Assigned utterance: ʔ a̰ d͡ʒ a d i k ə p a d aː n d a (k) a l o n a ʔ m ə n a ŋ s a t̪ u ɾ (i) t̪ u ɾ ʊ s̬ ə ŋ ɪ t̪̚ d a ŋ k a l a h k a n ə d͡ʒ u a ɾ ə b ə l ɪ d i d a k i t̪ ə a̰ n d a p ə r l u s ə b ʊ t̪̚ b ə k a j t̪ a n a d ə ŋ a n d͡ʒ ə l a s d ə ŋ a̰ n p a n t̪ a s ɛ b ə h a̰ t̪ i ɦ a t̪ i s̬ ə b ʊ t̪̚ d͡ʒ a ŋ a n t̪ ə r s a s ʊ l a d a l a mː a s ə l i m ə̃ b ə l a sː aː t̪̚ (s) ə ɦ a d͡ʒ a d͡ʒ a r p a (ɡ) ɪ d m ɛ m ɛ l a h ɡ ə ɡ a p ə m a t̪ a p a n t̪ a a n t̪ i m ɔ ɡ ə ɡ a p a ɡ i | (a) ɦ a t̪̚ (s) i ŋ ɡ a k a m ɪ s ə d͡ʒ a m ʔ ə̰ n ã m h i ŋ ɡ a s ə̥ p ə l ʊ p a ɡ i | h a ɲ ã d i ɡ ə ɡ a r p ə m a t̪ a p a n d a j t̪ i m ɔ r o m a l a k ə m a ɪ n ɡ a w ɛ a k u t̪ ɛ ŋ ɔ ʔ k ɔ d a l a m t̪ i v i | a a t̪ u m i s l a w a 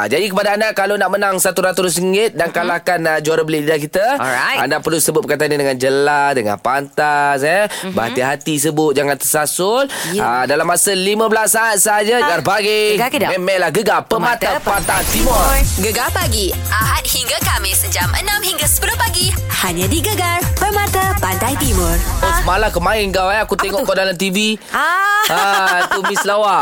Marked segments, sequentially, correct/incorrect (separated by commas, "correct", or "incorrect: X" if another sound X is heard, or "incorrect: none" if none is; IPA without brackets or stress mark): correct, incorrect: a, correct, correct, correct, incorrect: h